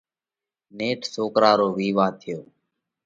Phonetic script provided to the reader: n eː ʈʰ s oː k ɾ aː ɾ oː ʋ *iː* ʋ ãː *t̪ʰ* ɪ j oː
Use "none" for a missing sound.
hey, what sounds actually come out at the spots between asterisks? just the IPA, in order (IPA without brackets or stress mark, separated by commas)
iː, t̪ʰ